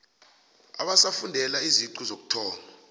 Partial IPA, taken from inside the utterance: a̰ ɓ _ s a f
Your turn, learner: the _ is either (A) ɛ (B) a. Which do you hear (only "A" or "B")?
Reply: B